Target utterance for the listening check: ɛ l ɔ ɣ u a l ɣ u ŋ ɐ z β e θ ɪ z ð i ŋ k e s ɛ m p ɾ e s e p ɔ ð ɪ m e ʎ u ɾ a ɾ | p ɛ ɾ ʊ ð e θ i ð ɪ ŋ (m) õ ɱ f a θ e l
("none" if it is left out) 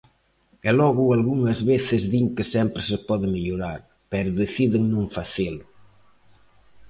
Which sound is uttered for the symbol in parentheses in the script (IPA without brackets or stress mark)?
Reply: n